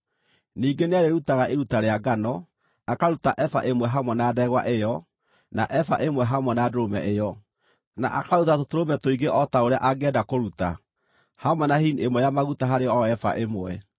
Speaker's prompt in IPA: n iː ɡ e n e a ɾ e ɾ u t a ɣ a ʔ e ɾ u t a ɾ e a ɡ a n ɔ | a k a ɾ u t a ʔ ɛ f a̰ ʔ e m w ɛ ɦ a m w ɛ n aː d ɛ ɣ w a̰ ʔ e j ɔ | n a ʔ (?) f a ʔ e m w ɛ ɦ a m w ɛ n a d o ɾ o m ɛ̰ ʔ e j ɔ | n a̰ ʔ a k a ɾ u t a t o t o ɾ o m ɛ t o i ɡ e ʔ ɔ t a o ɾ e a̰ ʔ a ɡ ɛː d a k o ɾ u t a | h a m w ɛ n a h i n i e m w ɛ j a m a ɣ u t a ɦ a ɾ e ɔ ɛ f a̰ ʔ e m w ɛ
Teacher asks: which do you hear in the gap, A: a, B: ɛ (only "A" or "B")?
B